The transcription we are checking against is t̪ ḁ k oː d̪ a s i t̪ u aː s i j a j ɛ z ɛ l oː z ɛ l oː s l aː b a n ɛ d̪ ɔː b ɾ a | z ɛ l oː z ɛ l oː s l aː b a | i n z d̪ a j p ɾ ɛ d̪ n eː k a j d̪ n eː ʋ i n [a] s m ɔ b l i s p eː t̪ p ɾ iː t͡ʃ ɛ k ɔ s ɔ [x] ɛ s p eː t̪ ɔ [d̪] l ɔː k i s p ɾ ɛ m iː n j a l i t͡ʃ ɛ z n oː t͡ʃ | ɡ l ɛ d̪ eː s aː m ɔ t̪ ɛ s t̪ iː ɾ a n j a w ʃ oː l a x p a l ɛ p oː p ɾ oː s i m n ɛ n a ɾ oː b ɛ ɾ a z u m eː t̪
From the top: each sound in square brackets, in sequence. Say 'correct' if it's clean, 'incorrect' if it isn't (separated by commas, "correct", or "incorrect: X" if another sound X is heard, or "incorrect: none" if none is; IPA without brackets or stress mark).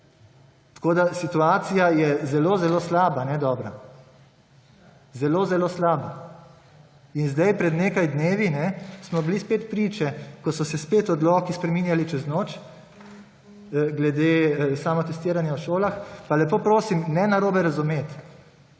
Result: incorrect: ɛ, incorrect: s, correct